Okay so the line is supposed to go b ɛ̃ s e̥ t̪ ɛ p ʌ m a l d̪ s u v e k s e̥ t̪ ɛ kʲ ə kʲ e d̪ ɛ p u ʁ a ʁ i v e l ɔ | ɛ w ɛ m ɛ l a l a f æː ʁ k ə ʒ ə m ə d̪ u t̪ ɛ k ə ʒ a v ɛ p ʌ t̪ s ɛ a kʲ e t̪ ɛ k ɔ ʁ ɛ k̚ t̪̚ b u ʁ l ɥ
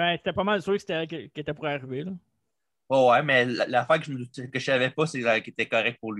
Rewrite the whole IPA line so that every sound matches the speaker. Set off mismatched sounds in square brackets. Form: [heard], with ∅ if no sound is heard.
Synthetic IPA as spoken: b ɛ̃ s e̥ t̪ ɛ p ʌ m a l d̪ s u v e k s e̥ t̪ ɛ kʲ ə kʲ e [t̪] ɛ p u ʁ a ʁ i v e l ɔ | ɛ w ɛ m ɛ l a l a f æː ʁ k ə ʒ ə m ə d̪ u t̪ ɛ k ə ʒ a v ɛ p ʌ [∅] s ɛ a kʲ e t̪ ɛ k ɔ ʁ ɛ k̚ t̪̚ [p] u ʁ l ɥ